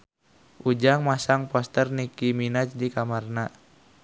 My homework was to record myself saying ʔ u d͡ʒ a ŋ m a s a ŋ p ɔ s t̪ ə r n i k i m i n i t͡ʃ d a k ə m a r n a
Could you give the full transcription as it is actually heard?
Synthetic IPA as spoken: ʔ u d͡ʒ a ŋ m a s a ŋ p ɔ s t̪ ə r n i k i m i n a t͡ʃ d i k a m a r n a